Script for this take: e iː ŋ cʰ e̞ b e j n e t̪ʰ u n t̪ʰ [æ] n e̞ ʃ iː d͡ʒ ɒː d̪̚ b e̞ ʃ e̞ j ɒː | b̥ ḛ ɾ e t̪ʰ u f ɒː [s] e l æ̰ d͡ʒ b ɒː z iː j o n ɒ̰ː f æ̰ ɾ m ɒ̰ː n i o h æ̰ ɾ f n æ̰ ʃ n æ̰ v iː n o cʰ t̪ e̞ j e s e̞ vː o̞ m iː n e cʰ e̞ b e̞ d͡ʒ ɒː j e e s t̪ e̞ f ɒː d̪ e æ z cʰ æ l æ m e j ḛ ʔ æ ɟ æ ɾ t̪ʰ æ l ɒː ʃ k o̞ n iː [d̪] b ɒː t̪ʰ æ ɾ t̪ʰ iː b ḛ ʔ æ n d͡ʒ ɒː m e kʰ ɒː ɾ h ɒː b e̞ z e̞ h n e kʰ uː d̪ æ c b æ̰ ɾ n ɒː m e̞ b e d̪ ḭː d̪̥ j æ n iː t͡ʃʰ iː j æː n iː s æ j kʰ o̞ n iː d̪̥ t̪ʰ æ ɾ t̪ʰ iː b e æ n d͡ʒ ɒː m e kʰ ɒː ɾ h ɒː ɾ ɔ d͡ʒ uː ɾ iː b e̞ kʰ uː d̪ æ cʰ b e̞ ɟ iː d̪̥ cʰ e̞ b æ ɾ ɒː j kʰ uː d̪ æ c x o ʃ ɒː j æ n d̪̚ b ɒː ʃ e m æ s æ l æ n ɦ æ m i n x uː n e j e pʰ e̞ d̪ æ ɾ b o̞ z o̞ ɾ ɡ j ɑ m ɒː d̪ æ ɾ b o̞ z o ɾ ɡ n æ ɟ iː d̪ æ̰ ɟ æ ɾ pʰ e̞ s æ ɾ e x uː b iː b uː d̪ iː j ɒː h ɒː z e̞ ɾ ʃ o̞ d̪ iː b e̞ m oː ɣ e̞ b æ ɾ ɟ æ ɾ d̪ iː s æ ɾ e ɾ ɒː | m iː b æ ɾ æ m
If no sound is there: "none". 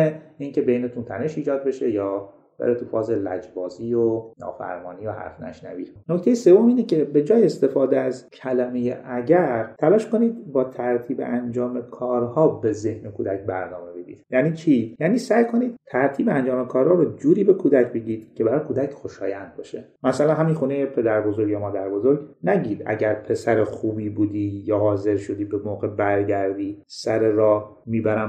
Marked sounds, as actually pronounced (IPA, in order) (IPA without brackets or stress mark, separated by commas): æ, z, d̪